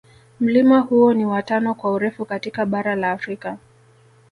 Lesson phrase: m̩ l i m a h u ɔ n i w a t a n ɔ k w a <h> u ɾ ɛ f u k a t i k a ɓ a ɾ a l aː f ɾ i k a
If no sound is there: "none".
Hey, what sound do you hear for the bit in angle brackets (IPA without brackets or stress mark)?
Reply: none